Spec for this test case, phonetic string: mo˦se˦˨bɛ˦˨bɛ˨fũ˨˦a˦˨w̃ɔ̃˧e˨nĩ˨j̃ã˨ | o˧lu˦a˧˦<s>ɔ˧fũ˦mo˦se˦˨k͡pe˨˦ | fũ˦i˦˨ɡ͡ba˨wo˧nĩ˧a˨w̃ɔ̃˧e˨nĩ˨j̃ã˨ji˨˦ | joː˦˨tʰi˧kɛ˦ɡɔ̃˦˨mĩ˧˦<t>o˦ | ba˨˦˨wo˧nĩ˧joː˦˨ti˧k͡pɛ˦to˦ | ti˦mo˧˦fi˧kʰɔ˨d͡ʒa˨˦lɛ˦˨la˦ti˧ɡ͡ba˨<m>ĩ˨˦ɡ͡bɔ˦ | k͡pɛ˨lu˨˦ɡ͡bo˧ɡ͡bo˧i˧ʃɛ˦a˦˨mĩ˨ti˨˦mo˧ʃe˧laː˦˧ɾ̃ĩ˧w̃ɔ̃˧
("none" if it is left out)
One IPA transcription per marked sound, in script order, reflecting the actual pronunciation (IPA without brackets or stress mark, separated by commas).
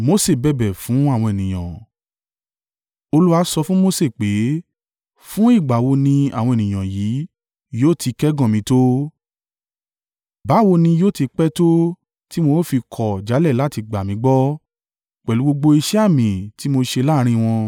s, t, m